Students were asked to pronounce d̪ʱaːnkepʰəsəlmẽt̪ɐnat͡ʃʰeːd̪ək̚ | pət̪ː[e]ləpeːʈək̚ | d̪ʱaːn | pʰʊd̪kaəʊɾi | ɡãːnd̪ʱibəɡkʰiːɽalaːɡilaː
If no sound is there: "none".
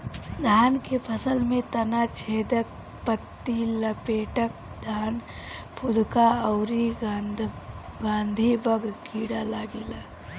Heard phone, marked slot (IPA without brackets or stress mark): i